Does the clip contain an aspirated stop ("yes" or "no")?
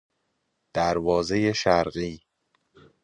no